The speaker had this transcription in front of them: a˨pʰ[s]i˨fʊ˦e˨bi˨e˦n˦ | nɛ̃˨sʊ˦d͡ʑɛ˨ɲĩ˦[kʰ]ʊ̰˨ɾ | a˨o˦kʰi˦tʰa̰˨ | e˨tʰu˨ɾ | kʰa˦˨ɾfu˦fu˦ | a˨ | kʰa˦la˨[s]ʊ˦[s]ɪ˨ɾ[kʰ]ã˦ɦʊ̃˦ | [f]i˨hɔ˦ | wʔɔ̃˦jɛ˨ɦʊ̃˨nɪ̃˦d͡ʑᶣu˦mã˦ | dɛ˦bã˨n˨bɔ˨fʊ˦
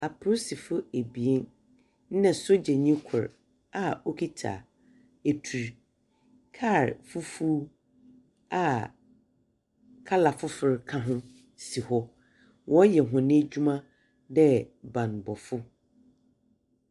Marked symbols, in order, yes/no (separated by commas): yes, yes, no, no, yes, no